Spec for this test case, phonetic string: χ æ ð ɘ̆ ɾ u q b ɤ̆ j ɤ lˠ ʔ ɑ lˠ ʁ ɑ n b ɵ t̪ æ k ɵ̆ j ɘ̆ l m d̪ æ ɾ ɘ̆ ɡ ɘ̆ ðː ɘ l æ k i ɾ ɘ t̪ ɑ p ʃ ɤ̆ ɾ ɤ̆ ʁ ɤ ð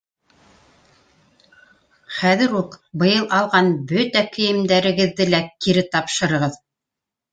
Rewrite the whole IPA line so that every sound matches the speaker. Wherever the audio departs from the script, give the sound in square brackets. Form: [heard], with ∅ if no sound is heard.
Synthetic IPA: χ æ ð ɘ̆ ɾ u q b ɤ̆ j ɤ lˠ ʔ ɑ lˠ ʁ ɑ n b ɵ t̪ æ k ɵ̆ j ɘ̆ [∅] m d̪ æ ɾ ɘ̆ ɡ ɘ̆ ðː ɘ l æ k i ɾ ɘ t̪ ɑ p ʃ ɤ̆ ɾ ɤ̆ ʁ ɤ ð